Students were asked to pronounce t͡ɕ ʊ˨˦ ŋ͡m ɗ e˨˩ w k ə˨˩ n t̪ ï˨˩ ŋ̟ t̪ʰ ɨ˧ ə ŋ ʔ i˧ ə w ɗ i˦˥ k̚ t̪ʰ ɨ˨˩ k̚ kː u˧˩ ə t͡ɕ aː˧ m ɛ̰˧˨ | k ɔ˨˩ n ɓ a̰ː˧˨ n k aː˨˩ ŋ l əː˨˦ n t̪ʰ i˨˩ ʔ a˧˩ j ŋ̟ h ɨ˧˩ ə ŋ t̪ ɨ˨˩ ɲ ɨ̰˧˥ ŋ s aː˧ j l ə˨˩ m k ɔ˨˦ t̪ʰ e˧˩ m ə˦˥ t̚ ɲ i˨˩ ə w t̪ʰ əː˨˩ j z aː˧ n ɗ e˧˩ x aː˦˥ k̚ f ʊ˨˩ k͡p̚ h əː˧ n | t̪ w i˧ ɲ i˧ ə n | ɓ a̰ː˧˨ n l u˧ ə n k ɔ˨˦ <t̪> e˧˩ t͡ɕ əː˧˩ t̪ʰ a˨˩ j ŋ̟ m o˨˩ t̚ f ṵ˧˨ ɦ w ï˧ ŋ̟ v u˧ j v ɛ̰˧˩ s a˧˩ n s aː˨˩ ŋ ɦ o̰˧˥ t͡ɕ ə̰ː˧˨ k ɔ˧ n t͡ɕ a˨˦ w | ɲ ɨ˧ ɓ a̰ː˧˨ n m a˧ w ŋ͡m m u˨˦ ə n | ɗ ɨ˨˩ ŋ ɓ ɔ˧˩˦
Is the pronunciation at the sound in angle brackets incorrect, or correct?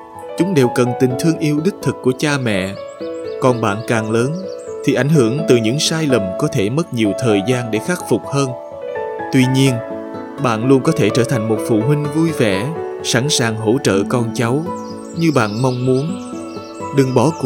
incorrect